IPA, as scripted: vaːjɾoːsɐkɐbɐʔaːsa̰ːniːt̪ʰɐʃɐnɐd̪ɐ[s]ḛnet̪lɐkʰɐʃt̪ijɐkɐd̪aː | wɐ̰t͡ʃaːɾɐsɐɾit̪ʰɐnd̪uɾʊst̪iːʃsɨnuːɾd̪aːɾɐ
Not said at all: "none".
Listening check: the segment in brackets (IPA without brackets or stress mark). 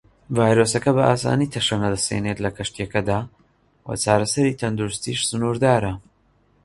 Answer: s